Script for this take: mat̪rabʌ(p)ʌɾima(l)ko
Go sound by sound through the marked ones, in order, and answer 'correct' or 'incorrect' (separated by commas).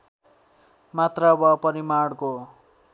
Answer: correct, incorrect